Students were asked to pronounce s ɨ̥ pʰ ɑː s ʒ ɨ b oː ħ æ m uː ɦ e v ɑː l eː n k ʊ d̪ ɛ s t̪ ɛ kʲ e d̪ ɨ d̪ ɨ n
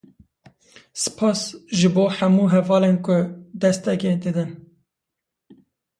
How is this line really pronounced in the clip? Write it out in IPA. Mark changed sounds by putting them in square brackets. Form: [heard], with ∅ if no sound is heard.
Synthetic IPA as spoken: s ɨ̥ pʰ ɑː s ʒ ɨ b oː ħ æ m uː ɦ [ɛ] v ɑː l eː n k ʊ d̪ ɛ s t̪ ɛ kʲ e d̪ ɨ d̪ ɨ n